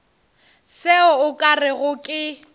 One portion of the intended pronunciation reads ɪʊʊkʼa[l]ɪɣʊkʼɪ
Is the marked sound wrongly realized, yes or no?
yes